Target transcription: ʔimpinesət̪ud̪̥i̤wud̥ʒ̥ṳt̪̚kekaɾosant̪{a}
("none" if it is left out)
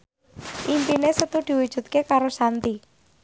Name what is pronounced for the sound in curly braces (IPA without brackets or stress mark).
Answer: i